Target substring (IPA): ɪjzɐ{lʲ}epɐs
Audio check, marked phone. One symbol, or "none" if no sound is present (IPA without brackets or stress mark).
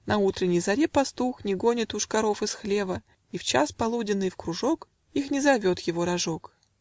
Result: ɾʲ